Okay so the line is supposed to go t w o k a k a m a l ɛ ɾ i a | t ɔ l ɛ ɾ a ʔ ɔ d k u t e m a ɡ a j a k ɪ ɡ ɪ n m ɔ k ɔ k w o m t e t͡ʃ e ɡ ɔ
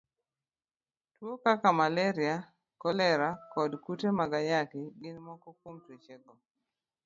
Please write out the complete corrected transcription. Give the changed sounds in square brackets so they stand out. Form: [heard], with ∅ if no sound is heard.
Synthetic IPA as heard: t w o k a k a m a l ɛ ɾ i a | [k] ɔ l ɛ ɾ a [k] ɔ d k u t e m a ɡ a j a k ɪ ɡ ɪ n m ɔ k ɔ k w o m t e t͡ʃ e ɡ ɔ